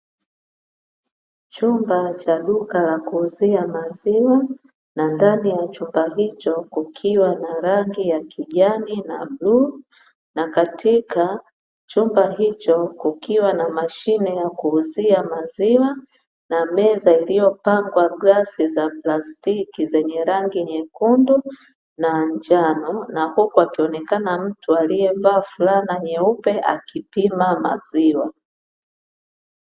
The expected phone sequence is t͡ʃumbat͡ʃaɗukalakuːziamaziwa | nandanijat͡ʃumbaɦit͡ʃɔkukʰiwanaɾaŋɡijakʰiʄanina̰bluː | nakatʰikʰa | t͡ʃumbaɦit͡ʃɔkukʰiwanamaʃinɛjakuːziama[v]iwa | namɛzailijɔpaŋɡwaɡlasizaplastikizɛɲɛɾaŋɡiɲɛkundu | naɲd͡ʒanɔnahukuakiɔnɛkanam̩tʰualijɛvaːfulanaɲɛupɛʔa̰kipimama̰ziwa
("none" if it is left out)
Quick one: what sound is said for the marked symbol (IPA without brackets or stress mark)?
z